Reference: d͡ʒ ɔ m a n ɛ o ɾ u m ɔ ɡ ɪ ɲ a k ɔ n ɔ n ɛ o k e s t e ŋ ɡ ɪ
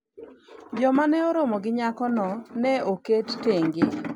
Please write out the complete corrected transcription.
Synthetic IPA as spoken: d͡ʒ ɔ m a n ɛ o ɾ o m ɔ ɡ ɪ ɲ a k ɔ n ɔ n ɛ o k e t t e ŋ ɡ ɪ

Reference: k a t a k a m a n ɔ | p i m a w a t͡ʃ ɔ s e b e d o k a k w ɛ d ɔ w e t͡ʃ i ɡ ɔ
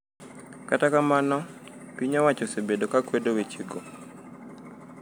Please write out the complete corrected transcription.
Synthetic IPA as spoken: k a t a k a m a n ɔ | p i ɲ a w a t͡ʃ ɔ s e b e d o k a k w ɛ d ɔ w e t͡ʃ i ɡ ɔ

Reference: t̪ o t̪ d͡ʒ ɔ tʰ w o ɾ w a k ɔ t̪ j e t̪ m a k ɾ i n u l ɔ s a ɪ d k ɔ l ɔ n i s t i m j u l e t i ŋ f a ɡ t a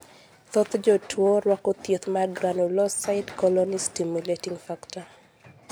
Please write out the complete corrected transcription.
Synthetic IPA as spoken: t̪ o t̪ d͡ʒ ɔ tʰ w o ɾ w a k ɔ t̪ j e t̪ m a ɡ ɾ a n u l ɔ s a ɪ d k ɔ l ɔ n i s t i m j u l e t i ŋ f a k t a

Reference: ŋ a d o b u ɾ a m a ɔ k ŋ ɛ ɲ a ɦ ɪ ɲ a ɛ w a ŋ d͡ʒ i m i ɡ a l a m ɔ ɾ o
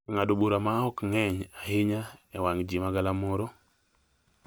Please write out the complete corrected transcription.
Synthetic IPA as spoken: ŋ a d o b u ɾ a m a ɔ k ŋ ɛ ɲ a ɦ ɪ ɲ a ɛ w a ŋ d͡ʒ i m a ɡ a l a m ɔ ɾ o

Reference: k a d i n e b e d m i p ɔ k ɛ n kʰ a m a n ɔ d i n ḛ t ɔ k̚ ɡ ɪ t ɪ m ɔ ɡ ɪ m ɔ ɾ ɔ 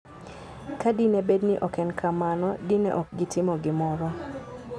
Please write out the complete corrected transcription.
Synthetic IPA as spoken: k a d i n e b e d n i ʔ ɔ k ɛ n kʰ a m a n ɔ d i n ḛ ʔ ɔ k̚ ɡ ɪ t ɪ m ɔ ɡ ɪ m ɔ ɾ ɔ

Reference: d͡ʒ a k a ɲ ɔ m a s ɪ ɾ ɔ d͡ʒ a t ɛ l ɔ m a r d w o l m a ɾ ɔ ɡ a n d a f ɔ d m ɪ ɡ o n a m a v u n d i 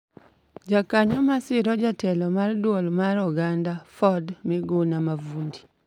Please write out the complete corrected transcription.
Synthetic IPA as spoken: d͡ʒ a k a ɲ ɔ m a s ɪ ɾ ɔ d͡ʒ a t ɛ l ɔ m a r d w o l m a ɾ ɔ ɡ a n d a f ɔ d m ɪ ɡ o n a m a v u n d i

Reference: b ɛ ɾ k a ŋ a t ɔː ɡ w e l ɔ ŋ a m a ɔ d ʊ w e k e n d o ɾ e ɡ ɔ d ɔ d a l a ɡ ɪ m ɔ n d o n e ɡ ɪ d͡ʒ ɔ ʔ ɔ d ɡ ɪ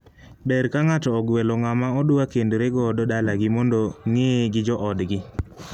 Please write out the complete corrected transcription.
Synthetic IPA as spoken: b ɛ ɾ k a ŋ a t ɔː ɡ w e l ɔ ŋ a m a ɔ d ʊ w a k e n d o ɾ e ɡ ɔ d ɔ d a l a ɡ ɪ m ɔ n d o ŋ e ɡ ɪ d͡ʒ ɔ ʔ ɔ d ɡ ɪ

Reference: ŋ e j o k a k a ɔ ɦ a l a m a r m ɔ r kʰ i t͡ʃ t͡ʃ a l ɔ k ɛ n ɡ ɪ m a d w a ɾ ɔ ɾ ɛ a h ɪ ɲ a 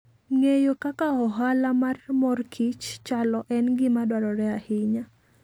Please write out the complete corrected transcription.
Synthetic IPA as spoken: ŋ e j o k a k a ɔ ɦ a l a m a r m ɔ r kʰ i t͡ʃ t͡ʃ a l ɔ ʔ ɛ n ɡ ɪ m a d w a ɾ ɔ ɾ ɛ a h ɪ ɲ a

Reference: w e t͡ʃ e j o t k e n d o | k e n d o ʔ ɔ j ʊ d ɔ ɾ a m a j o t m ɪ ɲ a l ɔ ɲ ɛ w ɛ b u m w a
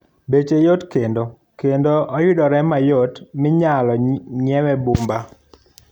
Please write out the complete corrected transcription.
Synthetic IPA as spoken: b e t͡ʃ e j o t k e n d o | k e n d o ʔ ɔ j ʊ d ɔ ɾ ɛ m a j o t m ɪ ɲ a l ɔ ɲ ɛ w ɛ b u m b a

